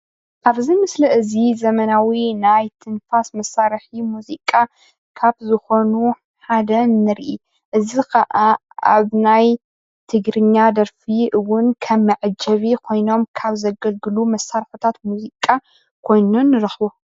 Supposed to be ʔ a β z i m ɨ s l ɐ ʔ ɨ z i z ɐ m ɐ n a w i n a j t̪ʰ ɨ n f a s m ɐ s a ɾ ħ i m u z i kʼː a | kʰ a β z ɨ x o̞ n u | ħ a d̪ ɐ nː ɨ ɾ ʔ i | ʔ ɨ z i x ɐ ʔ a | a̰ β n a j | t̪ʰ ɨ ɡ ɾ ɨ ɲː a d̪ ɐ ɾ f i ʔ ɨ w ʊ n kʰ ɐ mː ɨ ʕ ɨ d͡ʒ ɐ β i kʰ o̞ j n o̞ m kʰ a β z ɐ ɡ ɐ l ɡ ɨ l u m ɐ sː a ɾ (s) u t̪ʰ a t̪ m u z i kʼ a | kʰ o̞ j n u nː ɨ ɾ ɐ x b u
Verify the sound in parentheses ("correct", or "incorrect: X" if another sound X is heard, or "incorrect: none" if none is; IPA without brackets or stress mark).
incorrect: ħ